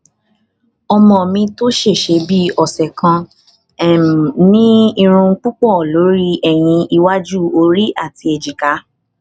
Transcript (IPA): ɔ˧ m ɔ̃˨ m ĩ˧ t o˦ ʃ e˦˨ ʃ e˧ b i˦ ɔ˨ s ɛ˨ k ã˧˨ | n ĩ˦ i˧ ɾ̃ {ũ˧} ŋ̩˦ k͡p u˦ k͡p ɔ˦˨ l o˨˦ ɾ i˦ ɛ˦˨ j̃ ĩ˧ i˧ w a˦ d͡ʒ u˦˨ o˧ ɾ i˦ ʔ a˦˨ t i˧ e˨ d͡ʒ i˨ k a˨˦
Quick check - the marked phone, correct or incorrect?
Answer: correct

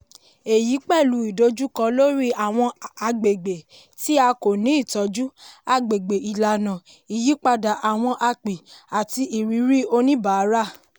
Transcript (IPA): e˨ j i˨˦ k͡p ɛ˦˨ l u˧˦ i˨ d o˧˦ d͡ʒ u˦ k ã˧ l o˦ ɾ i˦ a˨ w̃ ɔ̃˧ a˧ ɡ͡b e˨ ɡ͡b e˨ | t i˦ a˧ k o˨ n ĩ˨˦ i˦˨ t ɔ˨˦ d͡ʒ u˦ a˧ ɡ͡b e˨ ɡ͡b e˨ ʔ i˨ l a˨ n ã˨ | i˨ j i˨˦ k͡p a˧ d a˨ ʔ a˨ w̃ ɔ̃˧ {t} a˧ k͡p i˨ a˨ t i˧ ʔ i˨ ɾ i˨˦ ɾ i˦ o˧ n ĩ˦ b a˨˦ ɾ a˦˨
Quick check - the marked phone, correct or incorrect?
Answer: incorrect: ʔ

